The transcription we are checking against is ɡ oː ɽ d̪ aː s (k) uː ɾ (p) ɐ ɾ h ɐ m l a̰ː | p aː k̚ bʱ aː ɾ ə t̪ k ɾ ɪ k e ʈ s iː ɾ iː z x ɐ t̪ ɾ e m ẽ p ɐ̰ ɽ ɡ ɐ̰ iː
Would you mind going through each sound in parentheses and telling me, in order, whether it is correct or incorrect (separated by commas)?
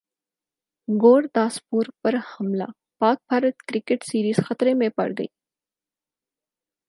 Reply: incorrect, correct